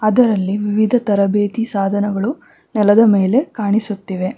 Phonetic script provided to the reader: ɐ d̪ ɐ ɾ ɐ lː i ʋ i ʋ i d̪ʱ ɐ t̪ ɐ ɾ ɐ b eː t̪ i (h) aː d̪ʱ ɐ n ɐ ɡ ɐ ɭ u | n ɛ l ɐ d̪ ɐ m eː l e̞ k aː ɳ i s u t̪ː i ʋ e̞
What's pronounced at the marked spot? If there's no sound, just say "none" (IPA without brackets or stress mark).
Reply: s